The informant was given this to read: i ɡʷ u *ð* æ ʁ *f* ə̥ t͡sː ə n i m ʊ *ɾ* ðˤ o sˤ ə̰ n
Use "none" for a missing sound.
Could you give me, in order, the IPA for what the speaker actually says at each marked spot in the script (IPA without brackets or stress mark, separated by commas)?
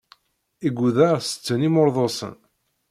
ð, s, ɾ